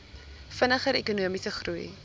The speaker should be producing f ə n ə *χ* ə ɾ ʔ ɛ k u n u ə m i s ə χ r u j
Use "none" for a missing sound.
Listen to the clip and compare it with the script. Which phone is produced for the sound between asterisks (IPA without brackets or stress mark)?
χ